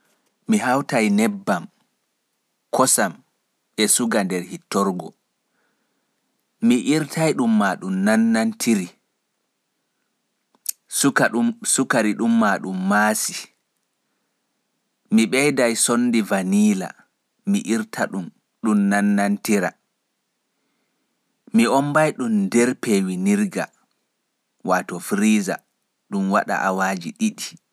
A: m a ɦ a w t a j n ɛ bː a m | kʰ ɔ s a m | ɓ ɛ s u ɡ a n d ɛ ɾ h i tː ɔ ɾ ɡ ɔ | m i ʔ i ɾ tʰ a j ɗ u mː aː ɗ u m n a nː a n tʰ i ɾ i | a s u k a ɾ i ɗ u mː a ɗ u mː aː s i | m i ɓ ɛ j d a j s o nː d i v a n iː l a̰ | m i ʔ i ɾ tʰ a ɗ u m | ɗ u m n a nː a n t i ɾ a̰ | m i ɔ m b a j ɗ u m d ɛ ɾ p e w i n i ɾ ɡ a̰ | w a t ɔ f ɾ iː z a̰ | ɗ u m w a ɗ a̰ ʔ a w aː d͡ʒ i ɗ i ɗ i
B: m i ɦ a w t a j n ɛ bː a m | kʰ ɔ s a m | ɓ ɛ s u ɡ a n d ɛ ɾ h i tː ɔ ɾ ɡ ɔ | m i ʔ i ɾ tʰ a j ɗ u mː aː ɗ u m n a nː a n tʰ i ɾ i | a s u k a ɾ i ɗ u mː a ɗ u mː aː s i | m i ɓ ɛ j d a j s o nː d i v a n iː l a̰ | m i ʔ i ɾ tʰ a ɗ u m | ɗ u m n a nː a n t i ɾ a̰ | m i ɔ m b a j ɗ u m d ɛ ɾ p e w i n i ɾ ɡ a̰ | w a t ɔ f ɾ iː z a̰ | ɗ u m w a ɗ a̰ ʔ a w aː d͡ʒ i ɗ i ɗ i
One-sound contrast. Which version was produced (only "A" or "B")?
B